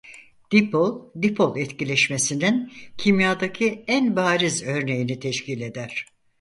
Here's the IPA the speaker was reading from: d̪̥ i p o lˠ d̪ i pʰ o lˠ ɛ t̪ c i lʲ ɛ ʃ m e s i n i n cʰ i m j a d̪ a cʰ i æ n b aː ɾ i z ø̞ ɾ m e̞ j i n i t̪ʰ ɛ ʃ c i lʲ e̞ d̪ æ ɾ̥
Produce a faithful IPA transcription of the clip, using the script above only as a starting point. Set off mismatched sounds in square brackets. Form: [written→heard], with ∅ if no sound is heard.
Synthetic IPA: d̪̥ i p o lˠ d̪ i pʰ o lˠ ɛ t̪ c i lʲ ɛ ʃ m e s i n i n cʰ i m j a d̪ a cʰ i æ n b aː ɾ i z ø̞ ɾ [m→n] e̞ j i n i t̪ʰ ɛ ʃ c i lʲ e̞ d̪ æ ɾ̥